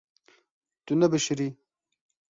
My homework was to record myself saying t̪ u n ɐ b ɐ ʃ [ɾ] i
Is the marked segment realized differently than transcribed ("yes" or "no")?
no